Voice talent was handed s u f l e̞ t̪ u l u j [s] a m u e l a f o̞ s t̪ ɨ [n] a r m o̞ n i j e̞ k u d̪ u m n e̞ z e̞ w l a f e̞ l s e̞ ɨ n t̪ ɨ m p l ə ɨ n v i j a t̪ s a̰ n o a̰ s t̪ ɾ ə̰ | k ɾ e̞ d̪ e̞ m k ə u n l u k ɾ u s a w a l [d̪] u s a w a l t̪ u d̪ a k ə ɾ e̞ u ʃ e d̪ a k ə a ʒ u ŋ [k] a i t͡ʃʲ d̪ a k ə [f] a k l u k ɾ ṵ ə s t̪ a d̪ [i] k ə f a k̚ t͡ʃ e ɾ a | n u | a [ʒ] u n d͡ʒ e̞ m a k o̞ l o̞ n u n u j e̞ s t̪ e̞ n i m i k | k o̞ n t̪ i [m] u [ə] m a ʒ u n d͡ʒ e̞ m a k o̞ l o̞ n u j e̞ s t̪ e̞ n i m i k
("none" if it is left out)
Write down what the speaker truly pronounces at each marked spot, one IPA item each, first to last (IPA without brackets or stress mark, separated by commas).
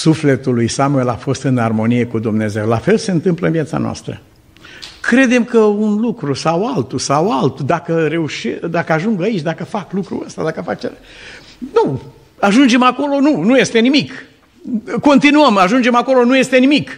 s, n, t̪, ɡ, f, a, ʒ, n, ə